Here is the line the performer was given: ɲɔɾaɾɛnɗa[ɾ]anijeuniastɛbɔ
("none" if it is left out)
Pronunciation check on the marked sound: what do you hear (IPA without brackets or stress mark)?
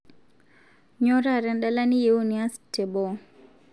l